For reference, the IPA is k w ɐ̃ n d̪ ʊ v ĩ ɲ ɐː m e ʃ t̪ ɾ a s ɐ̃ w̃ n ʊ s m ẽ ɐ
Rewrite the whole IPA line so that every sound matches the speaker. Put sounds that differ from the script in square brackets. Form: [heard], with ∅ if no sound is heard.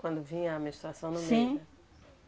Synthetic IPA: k w ɐ̃ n d̪ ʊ v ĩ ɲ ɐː m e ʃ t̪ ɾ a s ɐ̃ w̃ n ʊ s m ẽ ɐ